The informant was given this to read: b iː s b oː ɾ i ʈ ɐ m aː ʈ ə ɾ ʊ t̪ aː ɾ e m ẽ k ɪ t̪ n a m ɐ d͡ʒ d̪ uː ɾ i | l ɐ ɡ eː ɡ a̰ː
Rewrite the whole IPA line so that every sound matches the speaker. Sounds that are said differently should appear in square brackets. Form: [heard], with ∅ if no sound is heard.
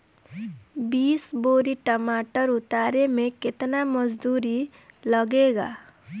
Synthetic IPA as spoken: b iː s b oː ɾ i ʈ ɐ m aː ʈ ə ɾ ʊ t̪ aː ɾ e m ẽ k ɪ t̪ n a m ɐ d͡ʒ d̪ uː ɾ i | l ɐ ɡ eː ɡ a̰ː

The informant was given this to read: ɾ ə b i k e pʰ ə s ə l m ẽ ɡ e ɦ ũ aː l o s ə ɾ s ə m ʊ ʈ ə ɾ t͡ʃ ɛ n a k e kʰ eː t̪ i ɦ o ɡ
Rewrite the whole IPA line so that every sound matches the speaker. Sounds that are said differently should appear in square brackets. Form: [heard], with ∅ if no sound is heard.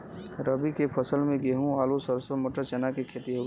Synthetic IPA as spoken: ɾ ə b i k e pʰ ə s ə l m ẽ ɡ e ɦ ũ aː l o s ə ɾ s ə m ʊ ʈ ə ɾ t͡ʃ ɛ n a k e kʰ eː t̪ i ɦ o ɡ

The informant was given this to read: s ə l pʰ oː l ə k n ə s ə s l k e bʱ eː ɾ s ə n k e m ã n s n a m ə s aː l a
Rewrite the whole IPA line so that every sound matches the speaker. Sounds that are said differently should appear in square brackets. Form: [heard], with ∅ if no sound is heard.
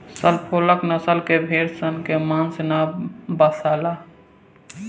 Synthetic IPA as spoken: s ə l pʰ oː l ə k n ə s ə [∅] l k e bʱ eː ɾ s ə n k e m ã n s n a [b] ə s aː l a

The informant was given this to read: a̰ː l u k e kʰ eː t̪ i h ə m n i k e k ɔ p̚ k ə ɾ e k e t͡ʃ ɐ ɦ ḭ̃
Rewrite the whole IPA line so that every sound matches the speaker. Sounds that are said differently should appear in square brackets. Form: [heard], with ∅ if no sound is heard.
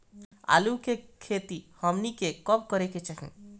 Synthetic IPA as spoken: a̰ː l u k e kʰ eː t̪ i h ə m n i k e k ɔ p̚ k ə ɾ e k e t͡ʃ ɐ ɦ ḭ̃

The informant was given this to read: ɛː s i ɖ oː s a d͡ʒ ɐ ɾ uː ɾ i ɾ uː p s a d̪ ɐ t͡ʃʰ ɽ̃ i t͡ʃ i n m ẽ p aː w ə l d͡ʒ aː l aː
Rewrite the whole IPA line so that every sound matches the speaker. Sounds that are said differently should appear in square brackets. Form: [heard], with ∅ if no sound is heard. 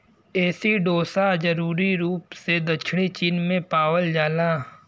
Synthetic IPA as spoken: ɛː s i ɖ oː s a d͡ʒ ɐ ɾ uː ɾ i ɾ uː p s [e] d̪ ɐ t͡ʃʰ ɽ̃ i t͡ʃ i n m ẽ p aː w ə l d͡ʒ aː l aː

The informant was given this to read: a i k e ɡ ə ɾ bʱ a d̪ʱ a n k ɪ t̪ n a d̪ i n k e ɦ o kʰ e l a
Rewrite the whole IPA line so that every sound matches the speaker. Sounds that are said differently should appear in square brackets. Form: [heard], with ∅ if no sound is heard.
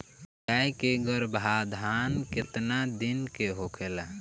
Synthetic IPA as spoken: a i k e ɡ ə ɾ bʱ a d̪ʱ a n k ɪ t̪ n a d̪ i n k e ɦ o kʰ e l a

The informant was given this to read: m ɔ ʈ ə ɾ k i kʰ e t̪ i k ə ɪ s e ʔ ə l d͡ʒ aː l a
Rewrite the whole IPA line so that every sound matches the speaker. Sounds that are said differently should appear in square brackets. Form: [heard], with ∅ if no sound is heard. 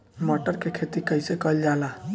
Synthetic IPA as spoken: m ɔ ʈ ə ɾ k [e] kʰ e t̪ i k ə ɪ s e [k] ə l d͡ʒ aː l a

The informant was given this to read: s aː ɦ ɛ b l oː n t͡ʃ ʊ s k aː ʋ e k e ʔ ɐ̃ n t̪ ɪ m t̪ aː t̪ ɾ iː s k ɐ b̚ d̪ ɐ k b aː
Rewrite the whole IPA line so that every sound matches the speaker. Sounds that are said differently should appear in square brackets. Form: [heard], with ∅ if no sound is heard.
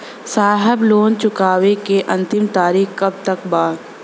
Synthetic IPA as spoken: s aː ɦ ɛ b l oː n t͡ʃ ʊ [∅] k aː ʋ e k e ʔ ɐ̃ n t̪ ɪ m t̪ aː [∅] ɾ iː [x] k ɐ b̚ [t̪] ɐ k b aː

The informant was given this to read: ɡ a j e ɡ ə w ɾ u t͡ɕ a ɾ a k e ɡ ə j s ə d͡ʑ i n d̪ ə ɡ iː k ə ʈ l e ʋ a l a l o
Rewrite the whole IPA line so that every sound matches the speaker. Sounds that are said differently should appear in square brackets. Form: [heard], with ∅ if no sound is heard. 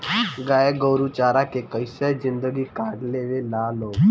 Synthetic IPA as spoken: ɡ a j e ɡ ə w ɾ u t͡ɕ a ɾ a k e [k] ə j s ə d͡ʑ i n d̪ ə ɡ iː k [a] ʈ l e ʋ [e] l a l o

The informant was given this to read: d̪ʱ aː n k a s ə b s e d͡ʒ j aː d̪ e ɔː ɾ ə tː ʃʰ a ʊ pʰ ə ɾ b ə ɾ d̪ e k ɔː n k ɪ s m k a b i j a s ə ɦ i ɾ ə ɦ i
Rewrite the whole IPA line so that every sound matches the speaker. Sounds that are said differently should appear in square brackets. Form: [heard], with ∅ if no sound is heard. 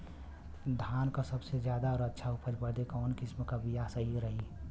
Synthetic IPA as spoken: d̪ʱ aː n k a s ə b s e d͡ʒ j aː d̪ [a] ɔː ɾ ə tː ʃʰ a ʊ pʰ ə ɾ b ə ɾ d̪ e k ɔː n k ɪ s m k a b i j a s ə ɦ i ɾ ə ɦ i

